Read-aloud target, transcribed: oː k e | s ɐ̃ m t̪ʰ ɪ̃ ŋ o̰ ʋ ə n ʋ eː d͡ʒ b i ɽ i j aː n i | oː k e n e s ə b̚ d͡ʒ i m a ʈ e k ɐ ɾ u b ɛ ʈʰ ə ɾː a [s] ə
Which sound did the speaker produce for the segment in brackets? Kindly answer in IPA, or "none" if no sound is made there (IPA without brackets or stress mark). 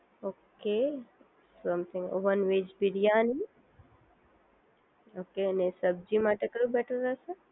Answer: s